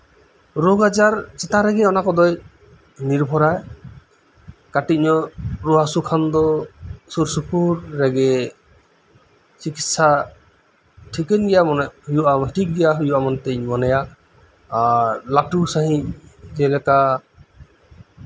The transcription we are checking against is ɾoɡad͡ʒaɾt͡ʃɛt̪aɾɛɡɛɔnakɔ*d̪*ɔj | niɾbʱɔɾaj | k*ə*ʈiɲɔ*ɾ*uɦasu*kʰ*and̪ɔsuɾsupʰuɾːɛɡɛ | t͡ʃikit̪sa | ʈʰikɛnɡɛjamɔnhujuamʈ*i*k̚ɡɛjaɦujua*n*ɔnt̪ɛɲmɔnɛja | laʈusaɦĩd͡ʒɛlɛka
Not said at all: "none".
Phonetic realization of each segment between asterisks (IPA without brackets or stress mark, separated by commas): d̪, a, ɾ, kʰ, i, m